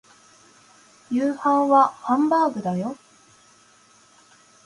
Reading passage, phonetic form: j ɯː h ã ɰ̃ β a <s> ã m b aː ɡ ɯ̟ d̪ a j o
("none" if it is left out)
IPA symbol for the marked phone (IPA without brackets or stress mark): h